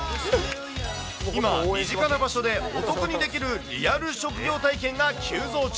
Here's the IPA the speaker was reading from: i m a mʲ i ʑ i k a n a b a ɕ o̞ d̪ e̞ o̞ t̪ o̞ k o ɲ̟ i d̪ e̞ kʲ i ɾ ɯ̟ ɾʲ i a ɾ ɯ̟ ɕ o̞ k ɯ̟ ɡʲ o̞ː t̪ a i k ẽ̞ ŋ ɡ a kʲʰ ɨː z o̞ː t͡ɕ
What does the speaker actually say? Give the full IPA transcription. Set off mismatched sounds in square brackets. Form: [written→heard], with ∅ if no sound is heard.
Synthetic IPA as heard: i m a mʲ i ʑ i k a n a b a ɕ o̞ d̪ e̞ o̞ t̪ o̞ k o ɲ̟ i d̪ e̞ kʲ i ɾ ɯ̟ ɾʲ i a ɾ ɯ̟ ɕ o̞ k ɯ̟ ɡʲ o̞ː t̪ a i k ẽ̞ ŋ ɡ a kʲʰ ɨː z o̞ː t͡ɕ